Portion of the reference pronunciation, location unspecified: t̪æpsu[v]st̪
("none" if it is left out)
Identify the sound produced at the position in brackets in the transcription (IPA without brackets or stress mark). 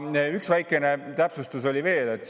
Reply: none